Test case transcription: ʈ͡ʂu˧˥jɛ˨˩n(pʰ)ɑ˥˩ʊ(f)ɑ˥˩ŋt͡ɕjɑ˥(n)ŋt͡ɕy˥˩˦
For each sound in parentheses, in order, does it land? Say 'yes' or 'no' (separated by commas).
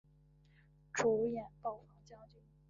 no, yes, no